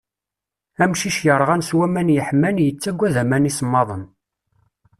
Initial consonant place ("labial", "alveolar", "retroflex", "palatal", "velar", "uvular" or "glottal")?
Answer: labial